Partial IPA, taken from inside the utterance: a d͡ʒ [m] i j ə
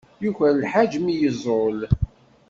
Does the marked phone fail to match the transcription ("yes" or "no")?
no